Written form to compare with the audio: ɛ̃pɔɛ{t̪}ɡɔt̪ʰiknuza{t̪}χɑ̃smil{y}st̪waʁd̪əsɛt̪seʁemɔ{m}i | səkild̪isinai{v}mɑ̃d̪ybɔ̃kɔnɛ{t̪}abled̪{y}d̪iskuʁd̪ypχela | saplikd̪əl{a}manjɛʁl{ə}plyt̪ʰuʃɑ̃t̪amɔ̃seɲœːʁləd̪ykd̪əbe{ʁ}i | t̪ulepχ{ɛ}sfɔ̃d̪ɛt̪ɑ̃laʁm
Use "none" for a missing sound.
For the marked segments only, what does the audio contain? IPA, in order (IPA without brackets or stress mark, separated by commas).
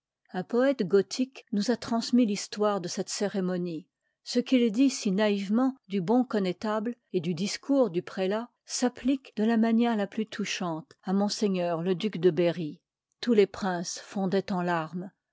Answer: t̪, t̪, i, n, v, t̪, y, a, a, ʁ, ɛ̃